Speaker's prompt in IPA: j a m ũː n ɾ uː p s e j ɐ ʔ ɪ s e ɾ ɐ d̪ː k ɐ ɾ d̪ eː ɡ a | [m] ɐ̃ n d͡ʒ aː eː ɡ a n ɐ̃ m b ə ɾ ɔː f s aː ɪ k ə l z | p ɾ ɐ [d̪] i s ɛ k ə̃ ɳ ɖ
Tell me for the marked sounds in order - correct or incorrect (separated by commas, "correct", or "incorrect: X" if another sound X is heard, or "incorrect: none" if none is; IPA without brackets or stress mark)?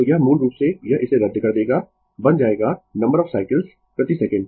incorrect: b, incorrect: t̪